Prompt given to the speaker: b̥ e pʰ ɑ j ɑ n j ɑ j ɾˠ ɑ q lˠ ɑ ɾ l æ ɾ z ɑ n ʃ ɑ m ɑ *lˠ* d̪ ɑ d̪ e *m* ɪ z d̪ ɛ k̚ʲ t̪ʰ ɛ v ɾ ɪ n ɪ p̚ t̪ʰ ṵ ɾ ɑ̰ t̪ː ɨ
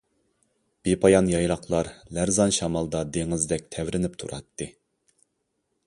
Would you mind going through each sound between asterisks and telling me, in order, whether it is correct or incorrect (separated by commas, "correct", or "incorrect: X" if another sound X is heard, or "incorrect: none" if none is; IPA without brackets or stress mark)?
correct, incorrect: ŋ